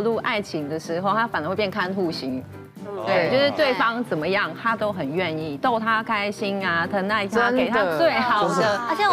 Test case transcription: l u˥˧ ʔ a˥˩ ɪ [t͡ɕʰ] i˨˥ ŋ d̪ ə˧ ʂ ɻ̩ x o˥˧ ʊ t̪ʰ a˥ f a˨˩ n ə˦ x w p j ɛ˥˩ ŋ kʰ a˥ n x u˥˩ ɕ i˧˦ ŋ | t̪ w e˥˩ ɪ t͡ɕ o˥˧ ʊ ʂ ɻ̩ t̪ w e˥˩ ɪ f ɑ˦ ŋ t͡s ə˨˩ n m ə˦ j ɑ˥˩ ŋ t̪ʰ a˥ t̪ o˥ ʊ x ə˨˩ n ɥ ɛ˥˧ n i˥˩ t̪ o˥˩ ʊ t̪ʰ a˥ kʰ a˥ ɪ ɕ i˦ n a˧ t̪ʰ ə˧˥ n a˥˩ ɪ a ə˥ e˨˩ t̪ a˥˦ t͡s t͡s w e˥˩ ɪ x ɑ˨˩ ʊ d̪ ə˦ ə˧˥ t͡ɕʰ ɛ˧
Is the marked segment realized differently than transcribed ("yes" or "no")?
no